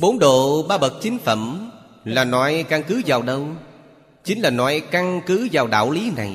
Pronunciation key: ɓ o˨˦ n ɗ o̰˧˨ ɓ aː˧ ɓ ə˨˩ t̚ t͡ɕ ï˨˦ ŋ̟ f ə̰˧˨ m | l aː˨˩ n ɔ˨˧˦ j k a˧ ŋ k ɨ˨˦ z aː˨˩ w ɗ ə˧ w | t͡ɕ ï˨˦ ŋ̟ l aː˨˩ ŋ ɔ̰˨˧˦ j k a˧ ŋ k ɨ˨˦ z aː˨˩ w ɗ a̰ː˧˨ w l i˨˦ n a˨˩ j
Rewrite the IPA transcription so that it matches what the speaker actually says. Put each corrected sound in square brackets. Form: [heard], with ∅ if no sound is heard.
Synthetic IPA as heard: ɓ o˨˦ n ɗ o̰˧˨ ɓ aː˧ ɓ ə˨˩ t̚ t͡ɕ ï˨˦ ŋ̟ f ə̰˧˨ m | l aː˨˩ n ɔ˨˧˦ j k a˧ ŋ k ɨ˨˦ z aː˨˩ w ɗ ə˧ w | t͡ɕ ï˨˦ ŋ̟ l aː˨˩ [n] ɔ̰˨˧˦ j k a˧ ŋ k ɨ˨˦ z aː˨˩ w ɗ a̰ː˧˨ w l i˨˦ n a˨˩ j